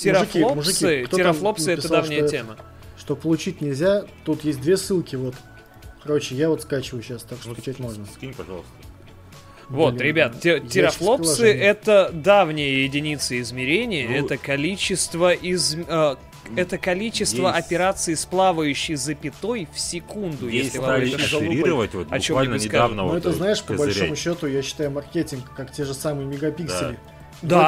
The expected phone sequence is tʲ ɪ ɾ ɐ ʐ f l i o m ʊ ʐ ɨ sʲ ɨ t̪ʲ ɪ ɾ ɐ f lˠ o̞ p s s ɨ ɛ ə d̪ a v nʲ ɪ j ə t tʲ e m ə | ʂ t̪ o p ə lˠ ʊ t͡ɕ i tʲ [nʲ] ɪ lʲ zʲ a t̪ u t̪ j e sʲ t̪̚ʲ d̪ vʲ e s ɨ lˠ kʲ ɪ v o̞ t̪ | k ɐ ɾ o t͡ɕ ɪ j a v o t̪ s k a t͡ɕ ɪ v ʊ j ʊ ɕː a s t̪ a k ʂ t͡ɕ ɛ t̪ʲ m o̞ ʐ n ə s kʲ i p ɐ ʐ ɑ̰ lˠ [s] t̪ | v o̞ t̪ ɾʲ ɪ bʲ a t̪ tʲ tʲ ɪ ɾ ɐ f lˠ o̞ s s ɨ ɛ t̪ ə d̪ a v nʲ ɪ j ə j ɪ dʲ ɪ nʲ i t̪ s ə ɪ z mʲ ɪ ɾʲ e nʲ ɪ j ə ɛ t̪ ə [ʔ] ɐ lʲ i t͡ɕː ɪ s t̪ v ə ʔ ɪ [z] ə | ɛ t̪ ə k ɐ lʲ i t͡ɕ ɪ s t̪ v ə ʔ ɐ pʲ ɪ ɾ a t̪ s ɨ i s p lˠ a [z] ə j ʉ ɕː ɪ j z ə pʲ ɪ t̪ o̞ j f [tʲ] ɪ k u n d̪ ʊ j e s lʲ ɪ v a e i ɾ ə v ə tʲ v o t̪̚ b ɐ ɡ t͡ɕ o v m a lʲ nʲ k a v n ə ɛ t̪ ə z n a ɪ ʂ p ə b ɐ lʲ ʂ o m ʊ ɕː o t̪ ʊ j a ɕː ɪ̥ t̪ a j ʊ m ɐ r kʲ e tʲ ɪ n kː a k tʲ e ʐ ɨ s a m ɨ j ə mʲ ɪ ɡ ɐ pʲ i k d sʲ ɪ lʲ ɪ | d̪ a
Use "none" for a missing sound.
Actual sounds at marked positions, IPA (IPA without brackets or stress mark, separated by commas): nʲ, s, k, z, v, sʲ